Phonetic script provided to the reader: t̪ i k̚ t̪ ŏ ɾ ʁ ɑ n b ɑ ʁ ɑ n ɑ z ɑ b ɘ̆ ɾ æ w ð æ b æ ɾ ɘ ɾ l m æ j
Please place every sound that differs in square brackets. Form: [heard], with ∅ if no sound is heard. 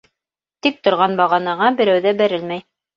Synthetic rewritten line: t̪ i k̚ t̪ ŏ ɾ ʁ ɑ n b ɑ ʁ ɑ n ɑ [ʁ] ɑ b ɘ̆ ɾ æ w ð æ b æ ɾ ɘ [∅] l m æ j

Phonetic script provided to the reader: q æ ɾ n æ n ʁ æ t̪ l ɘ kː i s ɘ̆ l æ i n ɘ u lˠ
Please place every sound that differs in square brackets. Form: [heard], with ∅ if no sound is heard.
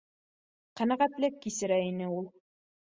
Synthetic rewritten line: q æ [∅] n æ [∅] ʁ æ t̪ l ɘ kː i s ɘ̆ [ɾ] æ i n ɘ u lˠ

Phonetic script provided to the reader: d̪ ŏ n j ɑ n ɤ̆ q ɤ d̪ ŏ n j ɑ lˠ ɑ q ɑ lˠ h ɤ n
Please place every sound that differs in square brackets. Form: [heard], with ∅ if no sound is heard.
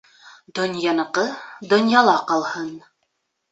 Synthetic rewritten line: d̪ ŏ n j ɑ n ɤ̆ q ɤ d̪ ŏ n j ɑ lˠ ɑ q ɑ lˠ h ɤ n

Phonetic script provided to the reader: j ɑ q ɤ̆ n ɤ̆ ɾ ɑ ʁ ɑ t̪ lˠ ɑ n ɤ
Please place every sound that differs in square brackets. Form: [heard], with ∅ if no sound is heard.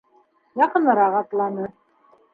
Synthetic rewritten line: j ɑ q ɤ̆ n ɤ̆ ɾ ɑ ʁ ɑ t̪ lˠ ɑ n ɤ

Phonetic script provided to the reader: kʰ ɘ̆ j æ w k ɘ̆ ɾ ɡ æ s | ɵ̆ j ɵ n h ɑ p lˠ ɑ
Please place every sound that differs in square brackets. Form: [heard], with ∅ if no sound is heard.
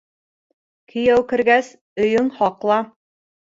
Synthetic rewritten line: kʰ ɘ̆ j æ w k ɘ̆ ɾ ɡ æ s | ɵ̆ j ɵ [ŋ] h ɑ [q] lˠ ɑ

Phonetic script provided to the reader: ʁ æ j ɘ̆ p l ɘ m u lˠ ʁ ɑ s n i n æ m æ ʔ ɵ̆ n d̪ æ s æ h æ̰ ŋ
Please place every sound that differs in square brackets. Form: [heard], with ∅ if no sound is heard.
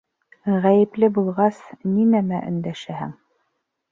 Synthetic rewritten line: ʁ æ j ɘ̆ p l ɘ [b] u lˠ ʁ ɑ s n i n æ m æ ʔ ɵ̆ n d̪ æ [ʃ] æ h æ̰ ŋ

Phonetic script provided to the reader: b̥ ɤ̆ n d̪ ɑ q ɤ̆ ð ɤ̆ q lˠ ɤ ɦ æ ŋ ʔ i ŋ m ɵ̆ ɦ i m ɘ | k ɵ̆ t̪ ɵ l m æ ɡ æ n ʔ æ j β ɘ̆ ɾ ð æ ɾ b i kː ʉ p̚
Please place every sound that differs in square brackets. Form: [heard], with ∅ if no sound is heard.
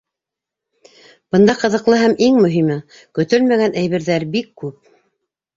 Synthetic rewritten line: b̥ ɤ̆ n d̪ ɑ q ɤ̆ ð ɤ̆ q lˠ ɤ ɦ æ [m] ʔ i ŋ m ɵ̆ ɦ i m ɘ | k ɵ̆ t̪ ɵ l m æ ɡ æ n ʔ æ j β ɘ̆ ɾ ð æ ɾ b i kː ʉ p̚

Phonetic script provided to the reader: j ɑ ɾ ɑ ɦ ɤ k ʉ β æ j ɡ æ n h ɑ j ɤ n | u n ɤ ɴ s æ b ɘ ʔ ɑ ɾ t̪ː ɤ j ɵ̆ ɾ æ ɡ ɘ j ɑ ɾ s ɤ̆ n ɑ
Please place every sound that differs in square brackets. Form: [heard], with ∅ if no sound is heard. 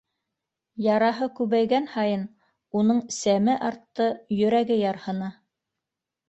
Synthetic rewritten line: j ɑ ɾ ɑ ɦ ɤ k ʉ β æ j ɡ æ n h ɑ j ɤ n | u n ɤ ɴ s æ [m] ɘ ʔ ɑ ɾ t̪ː ɤ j ɵ̆ ɾ æ ɡ ɘ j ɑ ɾ [h] ɤ̆ n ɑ

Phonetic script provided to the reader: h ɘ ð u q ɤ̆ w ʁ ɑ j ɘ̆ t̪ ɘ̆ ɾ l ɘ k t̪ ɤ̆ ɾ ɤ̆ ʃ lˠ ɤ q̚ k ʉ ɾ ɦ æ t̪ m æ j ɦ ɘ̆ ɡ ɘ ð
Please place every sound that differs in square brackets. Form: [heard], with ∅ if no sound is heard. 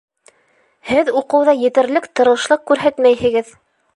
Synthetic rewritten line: h ɘ ð u q ɤ̆ w [ð] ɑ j ɘ̆ t̪ ɘ̆ ɾ l ɘ k t̪ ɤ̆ ɾ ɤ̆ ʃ lˠ ɤ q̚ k ʉ ɾ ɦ æ t̪ m æ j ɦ ɘ̆ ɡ ɘ ð

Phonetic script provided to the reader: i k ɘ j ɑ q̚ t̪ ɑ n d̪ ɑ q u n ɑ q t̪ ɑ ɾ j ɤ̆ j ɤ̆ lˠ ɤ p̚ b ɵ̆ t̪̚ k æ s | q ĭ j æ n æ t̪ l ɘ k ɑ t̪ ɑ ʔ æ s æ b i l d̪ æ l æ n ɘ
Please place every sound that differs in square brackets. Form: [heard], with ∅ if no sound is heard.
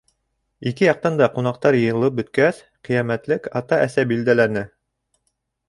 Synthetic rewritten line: i k ɘ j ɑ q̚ t̪ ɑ n d̪ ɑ q u n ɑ q t̪ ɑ ɾ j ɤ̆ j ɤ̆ lˠ ɤ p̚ b ɵ̆ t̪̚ k æ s | q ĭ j æ [m] æ t̪ l ɘ k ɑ t̪ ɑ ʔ æ s æ b i l d̪ æ l æ n ɘ

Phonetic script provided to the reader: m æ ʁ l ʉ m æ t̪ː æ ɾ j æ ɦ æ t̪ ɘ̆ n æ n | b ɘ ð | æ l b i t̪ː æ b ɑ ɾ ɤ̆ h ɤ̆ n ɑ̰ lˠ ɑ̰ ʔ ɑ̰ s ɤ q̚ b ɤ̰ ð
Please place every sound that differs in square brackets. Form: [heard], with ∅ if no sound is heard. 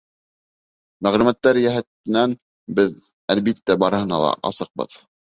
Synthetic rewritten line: m æ ʁ l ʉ m æ t̪ː æ ɾ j æ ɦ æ t̪ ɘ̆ n æ n | b ɘ ð | æ l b i t̪ː æ b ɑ ɾ ɤ̆ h ɤ̆ n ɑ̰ lˠ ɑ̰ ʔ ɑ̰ s ɤ q̚ b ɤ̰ ð

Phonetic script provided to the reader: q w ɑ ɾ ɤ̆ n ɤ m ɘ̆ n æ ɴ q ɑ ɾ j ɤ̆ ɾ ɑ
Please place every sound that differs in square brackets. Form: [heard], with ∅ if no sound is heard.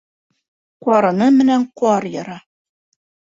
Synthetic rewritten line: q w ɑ ɾ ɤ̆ n ɤ m ɘ̆ n æ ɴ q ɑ ɾ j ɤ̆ ɾ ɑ

